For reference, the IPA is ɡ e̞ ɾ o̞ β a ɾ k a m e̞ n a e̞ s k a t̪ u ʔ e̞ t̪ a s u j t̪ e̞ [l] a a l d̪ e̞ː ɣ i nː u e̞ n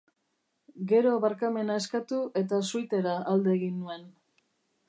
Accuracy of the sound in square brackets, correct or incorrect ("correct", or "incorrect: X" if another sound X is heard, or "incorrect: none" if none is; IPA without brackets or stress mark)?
incorrect: ɾ